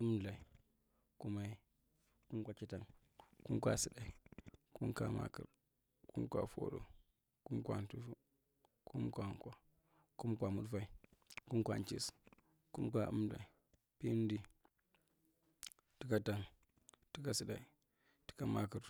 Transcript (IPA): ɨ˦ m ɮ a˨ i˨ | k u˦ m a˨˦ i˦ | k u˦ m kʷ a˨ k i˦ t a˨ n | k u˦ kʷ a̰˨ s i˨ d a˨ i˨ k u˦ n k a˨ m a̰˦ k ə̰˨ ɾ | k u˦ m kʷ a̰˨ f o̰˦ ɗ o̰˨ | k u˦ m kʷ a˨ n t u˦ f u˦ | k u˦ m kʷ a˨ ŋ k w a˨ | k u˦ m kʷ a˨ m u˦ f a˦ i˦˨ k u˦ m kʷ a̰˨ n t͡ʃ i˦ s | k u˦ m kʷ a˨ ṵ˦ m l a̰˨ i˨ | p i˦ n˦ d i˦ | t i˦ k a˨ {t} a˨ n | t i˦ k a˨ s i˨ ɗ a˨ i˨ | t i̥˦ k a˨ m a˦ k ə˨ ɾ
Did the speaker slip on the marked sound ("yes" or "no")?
no